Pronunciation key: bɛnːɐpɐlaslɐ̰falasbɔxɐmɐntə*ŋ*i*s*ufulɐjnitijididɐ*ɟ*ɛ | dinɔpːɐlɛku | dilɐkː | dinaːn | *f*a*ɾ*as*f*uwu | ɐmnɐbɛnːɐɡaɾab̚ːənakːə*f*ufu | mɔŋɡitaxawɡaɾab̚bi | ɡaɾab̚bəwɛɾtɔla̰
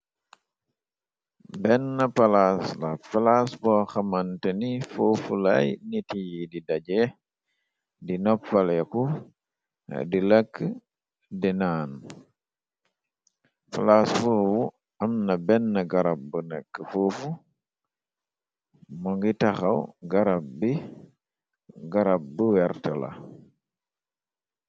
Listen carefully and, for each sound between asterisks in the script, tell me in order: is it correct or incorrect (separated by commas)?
incorrect, incorrect, correct, correct, incorrect, correct, correct